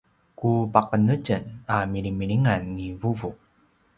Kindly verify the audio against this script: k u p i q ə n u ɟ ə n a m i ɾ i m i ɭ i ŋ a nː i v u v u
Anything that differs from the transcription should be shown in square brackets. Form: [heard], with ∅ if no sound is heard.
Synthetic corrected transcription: k u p [a] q ə n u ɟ ə n a m i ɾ i m i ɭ i ŋ a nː i v u v u

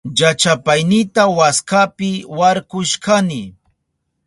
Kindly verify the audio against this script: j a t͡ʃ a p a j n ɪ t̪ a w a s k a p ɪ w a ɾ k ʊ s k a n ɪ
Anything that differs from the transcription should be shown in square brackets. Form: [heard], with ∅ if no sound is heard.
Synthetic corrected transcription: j a t͡ʃ a p a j n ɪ t̪ a w a s k a p ɪ w a ɾ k ʊ [ʃ] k a n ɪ

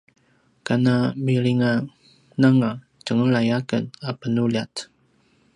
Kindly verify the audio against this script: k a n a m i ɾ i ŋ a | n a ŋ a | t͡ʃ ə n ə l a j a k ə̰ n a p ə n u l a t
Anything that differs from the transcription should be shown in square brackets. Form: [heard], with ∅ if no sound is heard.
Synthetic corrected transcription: k a n a m i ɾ i ŋ a | n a ŋ a | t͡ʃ ə [ŋ] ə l a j a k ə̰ n a p ə n u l a t

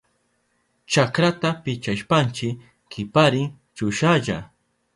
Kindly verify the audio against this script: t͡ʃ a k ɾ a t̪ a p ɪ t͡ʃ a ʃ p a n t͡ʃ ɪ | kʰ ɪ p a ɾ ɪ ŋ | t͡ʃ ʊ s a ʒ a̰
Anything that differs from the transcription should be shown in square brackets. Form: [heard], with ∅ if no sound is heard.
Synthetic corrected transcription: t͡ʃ a k ɾ a t̪ a p ɪ t͡ʃ a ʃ p a n t͡ʃ ɪ | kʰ ɪ p a ɾ ɪ ŋ | t͡ʃ ʊ [ʃ] a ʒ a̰

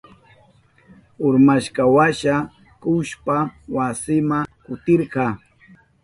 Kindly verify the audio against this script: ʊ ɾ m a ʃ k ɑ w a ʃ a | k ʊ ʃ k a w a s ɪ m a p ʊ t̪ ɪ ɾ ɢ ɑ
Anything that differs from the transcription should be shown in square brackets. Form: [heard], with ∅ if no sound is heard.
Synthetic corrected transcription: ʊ ɾ m a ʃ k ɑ w a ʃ a | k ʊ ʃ [p] a w a s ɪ m a [k] ʊ t̪ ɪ ɾ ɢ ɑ

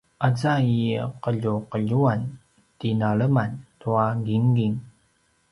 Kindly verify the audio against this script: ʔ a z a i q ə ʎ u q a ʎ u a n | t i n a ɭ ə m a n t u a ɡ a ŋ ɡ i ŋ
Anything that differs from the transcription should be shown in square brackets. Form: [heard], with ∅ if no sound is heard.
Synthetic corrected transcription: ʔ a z a i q ə ʎ u q [ə] ʎ u a n | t i n a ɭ ə m a n t u a ɡ [i] ŋ ɡ i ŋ

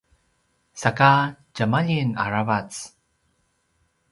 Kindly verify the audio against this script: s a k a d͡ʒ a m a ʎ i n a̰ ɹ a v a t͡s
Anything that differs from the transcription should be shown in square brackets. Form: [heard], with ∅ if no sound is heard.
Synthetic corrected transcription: s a k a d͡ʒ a m a ʎ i n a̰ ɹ a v a t͡s

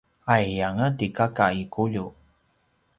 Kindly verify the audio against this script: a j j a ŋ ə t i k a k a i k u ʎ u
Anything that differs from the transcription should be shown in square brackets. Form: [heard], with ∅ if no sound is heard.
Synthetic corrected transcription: a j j a ŋ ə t i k a k a i k u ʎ u

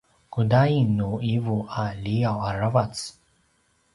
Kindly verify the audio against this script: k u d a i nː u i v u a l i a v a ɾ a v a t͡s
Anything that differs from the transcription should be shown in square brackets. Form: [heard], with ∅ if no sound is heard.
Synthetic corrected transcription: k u d a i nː u i v u a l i a [w] a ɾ a v a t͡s

